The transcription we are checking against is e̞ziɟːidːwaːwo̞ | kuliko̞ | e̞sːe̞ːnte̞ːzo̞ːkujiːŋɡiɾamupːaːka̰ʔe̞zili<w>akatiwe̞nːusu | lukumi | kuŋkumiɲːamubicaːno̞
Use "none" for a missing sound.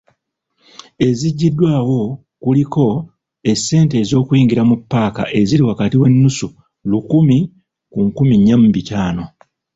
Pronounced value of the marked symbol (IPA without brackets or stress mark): w